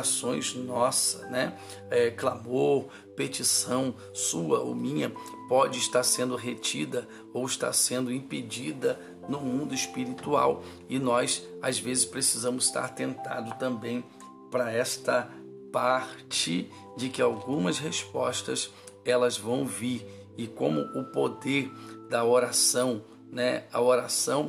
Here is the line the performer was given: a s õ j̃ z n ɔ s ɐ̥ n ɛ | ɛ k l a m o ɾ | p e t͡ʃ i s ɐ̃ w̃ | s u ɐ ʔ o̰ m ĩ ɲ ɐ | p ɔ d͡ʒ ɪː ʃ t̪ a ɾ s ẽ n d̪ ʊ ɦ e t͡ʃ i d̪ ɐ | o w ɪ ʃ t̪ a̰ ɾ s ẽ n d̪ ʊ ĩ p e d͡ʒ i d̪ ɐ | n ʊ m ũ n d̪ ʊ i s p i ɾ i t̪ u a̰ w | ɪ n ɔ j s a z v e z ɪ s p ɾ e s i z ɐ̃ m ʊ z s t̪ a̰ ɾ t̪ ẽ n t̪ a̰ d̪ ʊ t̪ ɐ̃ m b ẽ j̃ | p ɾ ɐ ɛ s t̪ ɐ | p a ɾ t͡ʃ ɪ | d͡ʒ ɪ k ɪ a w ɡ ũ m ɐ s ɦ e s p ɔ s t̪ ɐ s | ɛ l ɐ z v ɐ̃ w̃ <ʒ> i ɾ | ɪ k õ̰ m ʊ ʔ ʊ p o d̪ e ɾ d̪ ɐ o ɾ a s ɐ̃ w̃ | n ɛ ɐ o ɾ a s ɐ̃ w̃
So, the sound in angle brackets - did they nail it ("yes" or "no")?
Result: no